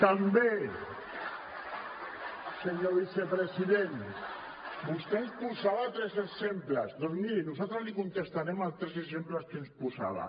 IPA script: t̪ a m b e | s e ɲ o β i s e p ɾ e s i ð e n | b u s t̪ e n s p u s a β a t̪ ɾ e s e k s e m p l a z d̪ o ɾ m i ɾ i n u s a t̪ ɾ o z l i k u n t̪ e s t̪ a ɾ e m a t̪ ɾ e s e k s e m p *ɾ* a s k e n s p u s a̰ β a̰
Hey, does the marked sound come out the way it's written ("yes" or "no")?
no